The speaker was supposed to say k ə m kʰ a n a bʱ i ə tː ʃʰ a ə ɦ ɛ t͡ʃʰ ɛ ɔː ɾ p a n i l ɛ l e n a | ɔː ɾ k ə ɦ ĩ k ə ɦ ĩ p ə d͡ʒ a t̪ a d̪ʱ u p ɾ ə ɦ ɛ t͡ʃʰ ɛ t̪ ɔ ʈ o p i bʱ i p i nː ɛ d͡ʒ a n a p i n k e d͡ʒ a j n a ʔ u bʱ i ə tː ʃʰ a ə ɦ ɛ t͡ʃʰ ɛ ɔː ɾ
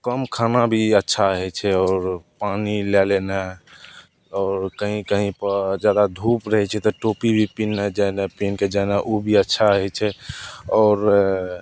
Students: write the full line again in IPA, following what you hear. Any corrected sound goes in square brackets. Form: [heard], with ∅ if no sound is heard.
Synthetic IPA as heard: k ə m kʰ a n a bʱ i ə tː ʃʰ a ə ɦ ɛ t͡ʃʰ ɛ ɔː ɾ p a n i l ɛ l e n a | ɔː ɾ k ə ɦ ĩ k ə ɦ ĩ p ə d͡ʒ a [d̪] a d̪ʱ u p ɾ ə ɦ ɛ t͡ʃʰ ɛ t̪ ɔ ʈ o p i bʱ i p i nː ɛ d͡ʒ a n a p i n k e d͡ʒ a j n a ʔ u bʱ i ə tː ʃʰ a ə ɦ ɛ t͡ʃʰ ɛ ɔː ɾ